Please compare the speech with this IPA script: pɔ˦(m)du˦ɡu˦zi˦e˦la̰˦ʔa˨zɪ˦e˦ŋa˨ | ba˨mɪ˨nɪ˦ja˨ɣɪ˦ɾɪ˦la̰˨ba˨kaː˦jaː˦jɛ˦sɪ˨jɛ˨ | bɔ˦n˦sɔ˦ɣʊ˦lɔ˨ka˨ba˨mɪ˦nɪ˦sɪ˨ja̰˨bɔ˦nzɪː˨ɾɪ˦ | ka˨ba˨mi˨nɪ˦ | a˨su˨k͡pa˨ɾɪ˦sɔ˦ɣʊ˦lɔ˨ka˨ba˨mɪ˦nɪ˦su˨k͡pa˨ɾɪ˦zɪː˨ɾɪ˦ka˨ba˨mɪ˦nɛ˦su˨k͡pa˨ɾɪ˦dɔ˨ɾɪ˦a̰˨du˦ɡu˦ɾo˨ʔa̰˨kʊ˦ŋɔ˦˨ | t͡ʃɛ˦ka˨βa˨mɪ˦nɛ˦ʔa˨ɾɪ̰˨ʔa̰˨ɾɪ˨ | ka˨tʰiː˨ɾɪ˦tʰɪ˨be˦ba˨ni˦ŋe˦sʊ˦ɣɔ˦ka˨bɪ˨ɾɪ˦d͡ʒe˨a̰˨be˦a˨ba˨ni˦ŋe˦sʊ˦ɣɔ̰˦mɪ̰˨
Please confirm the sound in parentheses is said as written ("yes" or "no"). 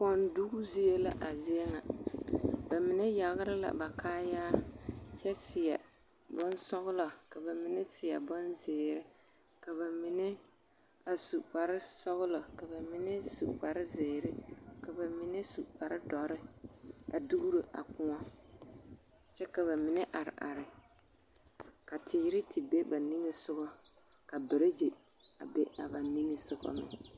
no